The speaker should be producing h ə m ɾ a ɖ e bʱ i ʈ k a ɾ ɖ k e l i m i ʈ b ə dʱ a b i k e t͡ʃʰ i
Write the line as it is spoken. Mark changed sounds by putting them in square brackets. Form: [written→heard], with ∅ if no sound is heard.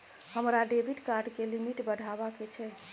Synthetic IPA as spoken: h ə m ɾ a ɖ e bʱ i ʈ k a ɾ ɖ k e l i m i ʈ b ə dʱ a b [i→a] k e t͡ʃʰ [i→ɛ]